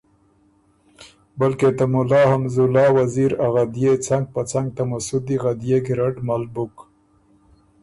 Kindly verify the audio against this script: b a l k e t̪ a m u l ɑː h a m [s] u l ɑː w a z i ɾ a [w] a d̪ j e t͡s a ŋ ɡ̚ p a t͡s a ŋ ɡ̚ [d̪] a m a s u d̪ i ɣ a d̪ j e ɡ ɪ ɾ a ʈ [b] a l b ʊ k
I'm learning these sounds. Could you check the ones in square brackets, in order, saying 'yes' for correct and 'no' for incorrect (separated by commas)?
no, no, no, no